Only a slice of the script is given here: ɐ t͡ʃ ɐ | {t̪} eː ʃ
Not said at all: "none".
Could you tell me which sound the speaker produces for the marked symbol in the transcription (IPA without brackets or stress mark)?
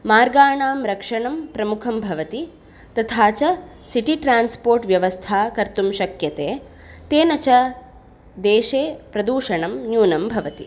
d̪